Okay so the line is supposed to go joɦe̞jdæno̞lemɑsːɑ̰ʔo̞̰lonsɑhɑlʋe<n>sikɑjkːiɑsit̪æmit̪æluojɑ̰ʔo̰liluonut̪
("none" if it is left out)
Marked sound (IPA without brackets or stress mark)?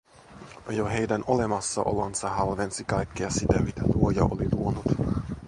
n